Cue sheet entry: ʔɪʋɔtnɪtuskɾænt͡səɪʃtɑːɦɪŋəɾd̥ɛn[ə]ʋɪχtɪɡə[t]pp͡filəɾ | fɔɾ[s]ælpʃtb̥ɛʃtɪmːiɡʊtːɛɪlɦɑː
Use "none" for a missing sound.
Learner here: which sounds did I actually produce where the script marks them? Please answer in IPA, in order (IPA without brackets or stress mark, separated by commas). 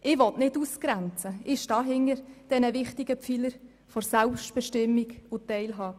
ə, none, s